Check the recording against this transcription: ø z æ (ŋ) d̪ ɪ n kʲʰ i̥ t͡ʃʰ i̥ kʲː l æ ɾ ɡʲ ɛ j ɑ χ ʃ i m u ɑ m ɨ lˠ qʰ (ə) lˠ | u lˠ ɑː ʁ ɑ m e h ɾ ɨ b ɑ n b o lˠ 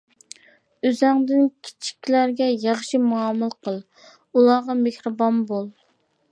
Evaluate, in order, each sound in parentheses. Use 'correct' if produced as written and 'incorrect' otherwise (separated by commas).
correct, correct